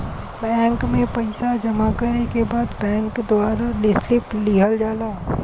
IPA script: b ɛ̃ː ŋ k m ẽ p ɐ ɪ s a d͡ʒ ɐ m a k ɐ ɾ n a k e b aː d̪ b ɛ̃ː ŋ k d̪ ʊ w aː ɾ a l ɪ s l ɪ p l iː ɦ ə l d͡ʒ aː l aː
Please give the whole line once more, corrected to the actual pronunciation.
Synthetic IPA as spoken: b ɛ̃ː ŋ k m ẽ p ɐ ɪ s a d͡ʒ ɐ m a k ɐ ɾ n e k e b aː d̪ b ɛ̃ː ŋ k d̪ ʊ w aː ɾ a l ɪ s l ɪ p l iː ɦ ə l d͡ʒ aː l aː

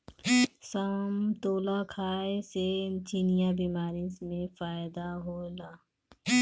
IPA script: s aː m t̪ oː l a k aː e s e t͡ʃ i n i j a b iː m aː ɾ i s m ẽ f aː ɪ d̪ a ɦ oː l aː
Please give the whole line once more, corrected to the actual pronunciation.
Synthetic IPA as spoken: s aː m t̪ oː l a kʰ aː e s e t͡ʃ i n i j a b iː m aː ɾ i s m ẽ f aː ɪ d̪ a ɦ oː l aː

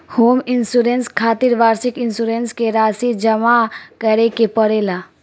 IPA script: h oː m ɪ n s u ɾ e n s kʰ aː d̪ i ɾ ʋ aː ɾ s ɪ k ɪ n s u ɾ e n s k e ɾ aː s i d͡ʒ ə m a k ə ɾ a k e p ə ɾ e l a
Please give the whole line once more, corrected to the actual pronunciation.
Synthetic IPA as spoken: h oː m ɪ n s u ɾ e n s kʰ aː t̪ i ɾ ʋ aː ɾ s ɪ k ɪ n s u ɾ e n s k e ɾ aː s i d͡ʒ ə m a k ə ɾ e k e p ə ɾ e l a

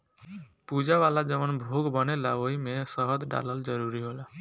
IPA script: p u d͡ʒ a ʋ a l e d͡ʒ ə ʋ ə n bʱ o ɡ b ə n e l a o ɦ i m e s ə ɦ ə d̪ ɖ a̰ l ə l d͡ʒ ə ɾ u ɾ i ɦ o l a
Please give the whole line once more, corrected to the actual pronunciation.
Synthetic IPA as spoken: p u d͡ʒ a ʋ a l a d͡ʒ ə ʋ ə n bʱ o ɡ b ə n e l a o ɦ i m e s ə ɦ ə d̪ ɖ a̰ l ə l d͡ʒ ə ɾ u ɾ i ɦ o l a

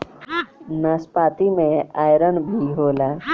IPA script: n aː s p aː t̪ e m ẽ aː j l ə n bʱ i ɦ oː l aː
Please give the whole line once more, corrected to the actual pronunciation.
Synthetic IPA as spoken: n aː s p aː t̪ i m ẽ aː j ɾ ə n bʱ i ɦ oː l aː

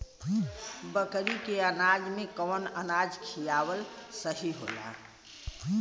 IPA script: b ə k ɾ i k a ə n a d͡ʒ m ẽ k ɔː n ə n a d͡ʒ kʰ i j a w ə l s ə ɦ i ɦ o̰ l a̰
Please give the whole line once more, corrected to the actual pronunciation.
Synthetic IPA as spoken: b ə k ɾ i k e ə n a d͡ʒ m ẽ k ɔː n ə n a d͡ʒ kʰ i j a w ə l s ə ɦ i ɦ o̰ l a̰

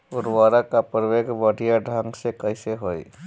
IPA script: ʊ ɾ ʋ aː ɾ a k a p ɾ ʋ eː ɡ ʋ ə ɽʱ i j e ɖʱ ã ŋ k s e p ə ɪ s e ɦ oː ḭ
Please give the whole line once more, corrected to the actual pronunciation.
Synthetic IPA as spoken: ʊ ɾ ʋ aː ɾ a k a p ɾ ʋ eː ɡ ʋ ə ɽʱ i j a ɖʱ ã ŋ ɡ s e k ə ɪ s e ɦ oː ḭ

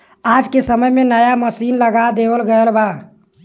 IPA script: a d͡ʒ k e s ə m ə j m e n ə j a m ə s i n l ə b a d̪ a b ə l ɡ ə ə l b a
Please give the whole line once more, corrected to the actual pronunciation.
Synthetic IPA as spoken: a d͡ʒ k e s ə m ə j m e n ə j a m ə s i n l ə ɡ a d̪ e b ə l ɡ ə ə l b a

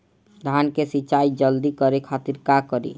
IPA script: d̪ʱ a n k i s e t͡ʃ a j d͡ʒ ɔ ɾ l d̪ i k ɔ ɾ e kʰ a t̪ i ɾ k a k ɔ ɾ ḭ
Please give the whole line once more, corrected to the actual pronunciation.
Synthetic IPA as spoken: d̪ʱ a n k e s i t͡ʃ a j d͡ʒ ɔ l d̪ i k ɔ ɾ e kʰ a t̪ i ɾ k a k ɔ ɾ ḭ

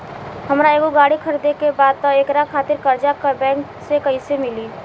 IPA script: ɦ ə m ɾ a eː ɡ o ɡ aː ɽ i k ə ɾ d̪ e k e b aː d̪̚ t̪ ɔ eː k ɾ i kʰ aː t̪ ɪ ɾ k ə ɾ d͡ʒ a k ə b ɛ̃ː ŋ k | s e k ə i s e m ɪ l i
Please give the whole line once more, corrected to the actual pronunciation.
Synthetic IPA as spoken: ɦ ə m ɾ a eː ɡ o ɡ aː ɽ i kʰ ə ɾ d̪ e k e b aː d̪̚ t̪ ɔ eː k ɾ a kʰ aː t̪ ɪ ɾ k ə ɾ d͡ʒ a k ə b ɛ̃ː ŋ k | s e k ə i s e m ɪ l i

